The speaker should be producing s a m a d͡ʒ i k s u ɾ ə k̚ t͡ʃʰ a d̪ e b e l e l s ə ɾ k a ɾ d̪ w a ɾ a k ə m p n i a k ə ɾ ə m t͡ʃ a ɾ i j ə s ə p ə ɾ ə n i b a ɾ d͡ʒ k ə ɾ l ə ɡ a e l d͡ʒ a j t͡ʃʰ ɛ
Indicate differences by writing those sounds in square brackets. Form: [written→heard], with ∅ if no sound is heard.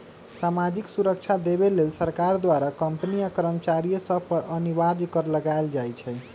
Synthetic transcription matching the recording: s a m a d͡ʒ i k s u ɾ ə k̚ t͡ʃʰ a d̪ e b e l e l s ə ɾ k a ɾ d̪ w a ɾ a k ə m p n i a k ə ɾ ə m t͡ʃ a ɾ i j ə s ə p ə ɾ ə n i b a ɾ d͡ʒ k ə ɾ l ə ɡ a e l d͡ʒ a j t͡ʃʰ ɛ